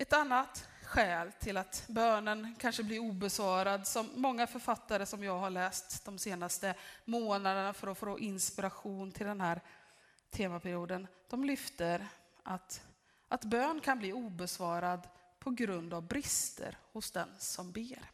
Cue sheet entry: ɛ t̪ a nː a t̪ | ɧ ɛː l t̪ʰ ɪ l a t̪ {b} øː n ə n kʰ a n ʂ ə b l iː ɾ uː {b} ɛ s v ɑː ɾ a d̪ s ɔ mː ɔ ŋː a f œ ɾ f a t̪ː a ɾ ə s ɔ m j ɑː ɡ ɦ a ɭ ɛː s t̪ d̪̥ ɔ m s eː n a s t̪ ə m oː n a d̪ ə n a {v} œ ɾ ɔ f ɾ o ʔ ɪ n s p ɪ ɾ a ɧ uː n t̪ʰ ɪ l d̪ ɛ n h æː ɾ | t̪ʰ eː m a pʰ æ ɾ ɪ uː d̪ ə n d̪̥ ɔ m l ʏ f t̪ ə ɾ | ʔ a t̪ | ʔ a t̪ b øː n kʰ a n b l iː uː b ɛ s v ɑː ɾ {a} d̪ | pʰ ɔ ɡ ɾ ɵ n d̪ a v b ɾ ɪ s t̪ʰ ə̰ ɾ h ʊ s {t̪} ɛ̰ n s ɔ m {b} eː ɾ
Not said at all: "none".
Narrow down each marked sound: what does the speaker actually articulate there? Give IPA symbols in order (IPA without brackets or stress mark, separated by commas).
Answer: b, b, f, a, d̪, b